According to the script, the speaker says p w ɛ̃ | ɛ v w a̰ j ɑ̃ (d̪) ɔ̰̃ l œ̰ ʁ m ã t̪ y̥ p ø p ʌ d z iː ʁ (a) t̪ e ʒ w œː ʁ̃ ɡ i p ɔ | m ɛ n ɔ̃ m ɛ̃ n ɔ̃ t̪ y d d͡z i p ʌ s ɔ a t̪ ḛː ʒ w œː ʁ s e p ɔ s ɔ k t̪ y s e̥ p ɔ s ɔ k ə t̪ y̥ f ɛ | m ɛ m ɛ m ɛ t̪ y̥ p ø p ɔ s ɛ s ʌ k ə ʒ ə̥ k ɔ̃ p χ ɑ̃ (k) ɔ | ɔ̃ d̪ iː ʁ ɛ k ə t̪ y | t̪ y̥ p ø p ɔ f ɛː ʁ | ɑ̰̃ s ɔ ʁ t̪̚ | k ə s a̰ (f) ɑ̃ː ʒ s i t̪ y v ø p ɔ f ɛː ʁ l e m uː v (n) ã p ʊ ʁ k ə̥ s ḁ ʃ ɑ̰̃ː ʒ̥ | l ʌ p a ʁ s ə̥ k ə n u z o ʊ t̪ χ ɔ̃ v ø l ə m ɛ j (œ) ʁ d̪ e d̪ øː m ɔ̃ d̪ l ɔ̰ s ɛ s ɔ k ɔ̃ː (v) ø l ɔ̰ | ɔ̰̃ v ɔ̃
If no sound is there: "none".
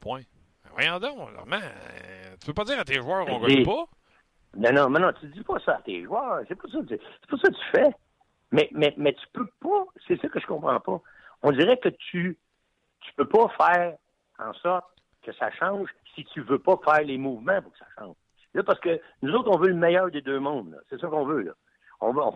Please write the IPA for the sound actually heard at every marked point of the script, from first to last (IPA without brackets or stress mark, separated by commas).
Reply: d̪, a, p, ʃ, m, œː, v